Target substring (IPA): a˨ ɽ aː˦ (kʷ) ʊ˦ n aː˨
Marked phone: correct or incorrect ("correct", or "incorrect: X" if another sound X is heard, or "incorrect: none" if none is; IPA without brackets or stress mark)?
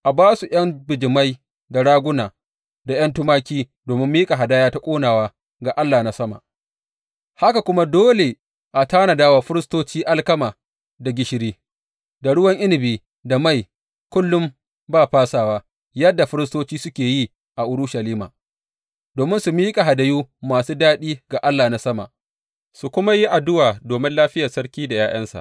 incorrect: ɡʷ